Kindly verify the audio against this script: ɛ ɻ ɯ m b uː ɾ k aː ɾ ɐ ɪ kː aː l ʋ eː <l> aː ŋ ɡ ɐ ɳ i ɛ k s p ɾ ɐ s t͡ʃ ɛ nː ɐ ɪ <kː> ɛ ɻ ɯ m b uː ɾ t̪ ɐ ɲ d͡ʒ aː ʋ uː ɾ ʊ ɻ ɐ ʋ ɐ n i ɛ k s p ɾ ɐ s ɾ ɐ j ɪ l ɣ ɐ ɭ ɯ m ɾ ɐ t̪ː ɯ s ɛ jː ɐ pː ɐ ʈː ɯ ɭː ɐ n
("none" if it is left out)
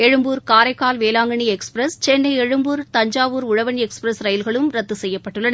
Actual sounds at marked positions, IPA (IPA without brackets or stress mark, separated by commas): l, none